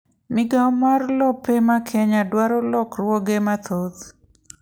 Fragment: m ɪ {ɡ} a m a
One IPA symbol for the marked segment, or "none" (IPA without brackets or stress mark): ɡ